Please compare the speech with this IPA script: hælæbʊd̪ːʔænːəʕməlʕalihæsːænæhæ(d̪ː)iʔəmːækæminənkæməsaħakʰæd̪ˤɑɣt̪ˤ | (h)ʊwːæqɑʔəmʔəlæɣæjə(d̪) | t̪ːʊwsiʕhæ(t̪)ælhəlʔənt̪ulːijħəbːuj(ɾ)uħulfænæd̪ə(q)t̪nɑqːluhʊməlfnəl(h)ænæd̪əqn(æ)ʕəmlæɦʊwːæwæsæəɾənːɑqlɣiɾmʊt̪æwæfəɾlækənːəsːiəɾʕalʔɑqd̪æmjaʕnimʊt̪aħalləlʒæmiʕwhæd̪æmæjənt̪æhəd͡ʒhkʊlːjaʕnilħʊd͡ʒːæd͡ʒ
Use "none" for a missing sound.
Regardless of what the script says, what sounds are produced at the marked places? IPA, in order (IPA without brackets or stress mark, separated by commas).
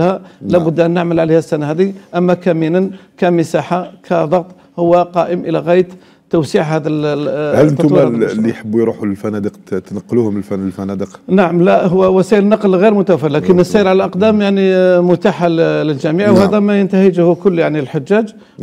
d̪, h, t̪, d̪, ɾ, q, f, a